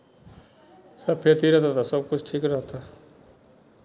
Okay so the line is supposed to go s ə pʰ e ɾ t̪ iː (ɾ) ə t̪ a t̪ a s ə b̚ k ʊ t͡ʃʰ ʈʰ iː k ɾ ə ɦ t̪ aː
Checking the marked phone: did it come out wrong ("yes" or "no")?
no